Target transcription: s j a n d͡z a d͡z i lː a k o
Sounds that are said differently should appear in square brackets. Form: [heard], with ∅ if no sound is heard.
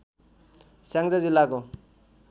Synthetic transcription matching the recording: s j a [ŋ] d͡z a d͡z i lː a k o